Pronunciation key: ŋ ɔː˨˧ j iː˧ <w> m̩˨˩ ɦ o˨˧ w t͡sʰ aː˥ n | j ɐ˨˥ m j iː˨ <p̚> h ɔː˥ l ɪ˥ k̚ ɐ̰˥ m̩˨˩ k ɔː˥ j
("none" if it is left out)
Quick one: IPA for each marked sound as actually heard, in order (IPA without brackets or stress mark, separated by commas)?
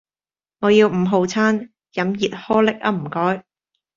w, t̚